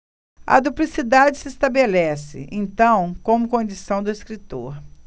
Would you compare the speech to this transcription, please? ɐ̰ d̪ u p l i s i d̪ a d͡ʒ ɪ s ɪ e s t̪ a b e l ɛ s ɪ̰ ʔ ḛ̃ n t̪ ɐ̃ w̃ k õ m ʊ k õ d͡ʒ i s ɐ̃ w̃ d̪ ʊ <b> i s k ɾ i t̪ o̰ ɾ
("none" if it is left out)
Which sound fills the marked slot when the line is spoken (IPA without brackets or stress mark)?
none